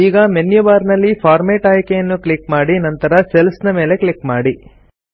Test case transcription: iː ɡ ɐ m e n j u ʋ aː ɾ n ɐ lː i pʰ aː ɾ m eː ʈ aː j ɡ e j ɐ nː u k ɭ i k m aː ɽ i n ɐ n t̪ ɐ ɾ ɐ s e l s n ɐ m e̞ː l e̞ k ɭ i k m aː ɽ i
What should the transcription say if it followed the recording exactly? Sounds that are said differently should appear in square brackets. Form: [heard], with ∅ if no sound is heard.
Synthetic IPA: iː ɡ ɐ m e n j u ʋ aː ɾ n ɐ lː i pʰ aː ɾ m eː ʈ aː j [k] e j ɐ nː u k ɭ i k m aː ɽ i n ɐ n t̪ ɐ ɾ ɐ s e l s n ɐ m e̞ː l e̞ k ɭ i k m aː ɽ i